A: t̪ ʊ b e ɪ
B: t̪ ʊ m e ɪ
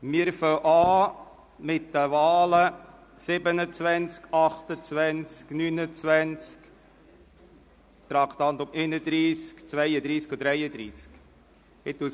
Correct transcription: B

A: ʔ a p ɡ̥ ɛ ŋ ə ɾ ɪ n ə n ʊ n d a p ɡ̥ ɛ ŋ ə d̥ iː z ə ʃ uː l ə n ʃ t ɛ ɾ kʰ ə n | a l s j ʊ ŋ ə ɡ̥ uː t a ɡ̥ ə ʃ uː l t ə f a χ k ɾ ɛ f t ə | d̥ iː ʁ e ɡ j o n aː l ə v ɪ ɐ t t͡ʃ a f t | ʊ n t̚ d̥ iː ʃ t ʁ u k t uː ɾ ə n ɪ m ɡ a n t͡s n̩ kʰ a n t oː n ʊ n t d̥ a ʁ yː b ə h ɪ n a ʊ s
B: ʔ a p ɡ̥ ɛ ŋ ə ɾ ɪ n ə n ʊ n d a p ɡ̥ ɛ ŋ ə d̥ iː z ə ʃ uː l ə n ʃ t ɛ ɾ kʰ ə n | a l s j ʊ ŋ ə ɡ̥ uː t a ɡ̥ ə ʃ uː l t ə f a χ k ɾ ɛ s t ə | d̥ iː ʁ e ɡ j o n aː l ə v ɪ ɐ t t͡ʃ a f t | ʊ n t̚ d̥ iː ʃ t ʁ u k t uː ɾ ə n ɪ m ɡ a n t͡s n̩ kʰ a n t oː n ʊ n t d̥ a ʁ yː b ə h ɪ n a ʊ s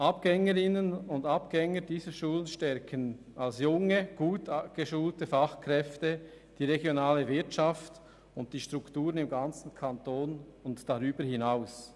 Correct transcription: A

